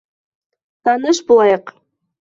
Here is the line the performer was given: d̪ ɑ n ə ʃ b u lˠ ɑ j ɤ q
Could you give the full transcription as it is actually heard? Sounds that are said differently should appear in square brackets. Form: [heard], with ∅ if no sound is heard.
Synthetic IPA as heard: [t̪] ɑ n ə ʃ b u lˠ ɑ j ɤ q